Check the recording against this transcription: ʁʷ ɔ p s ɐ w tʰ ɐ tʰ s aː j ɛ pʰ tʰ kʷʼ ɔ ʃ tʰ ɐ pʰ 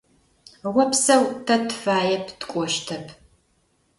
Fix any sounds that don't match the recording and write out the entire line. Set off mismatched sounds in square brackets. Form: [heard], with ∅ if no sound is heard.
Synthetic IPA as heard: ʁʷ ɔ p s ɐ w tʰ ɐ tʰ [f] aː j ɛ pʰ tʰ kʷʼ ɔ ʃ tʰ ɐ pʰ